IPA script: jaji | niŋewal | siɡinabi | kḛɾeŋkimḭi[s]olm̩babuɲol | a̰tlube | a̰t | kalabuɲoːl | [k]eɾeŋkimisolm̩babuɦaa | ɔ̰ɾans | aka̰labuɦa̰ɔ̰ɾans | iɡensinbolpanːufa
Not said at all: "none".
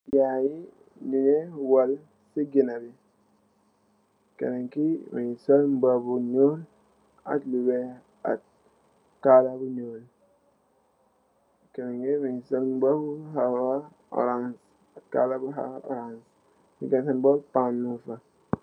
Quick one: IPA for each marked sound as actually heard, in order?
s, k

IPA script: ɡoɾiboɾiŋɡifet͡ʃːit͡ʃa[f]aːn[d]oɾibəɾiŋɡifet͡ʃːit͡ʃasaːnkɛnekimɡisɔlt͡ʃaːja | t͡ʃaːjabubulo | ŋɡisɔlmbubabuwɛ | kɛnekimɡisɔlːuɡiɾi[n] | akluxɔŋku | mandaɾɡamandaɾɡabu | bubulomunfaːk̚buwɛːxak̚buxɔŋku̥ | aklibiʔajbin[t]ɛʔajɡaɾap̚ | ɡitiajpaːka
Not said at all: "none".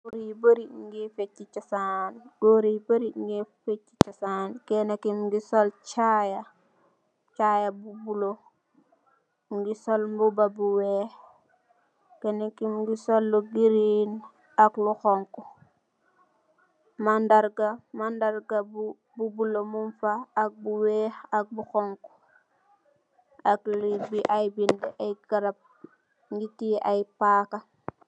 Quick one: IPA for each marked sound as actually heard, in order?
s, ɡ, n, d

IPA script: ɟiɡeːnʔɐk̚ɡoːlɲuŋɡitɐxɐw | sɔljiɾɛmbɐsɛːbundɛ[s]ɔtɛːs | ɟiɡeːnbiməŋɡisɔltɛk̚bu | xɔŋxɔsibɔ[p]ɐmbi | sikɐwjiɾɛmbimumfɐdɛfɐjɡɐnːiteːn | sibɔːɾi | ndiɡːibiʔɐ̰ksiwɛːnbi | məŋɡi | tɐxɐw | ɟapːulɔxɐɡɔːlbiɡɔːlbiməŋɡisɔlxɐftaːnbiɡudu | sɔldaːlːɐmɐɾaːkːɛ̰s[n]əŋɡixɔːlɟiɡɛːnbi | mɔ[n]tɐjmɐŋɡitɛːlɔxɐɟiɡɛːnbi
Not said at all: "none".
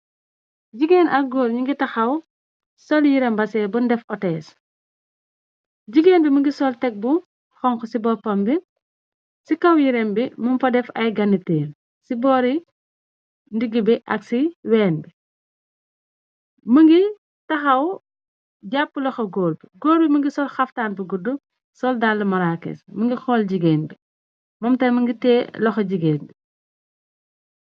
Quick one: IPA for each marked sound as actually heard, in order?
f, p, m, m

